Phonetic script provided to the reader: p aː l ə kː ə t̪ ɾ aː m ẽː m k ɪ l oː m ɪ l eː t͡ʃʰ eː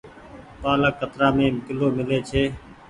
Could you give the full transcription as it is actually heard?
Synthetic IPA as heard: p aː l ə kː ə t̪ ɾ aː m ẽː m k ɪ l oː m ɪ l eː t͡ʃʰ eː